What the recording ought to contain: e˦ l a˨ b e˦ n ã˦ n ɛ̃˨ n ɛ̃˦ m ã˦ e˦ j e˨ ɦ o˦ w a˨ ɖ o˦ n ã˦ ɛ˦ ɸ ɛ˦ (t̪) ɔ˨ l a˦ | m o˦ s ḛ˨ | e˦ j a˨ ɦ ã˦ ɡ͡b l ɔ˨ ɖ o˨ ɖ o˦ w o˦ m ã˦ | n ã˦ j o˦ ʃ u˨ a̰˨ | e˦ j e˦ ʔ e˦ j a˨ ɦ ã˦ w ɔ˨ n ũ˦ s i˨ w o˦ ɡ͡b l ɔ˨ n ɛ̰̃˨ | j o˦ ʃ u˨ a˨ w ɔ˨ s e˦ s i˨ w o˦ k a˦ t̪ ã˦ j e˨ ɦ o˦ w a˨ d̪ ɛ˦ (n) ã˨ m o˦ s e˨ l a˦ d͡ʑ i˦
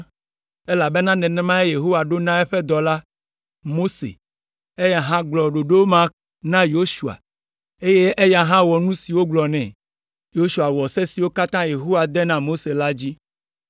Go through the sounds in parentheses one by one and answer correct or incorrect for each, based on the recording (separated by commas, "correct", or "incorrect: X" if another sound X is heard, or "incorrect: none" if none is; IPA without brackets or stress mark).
incorrect: d̪, correct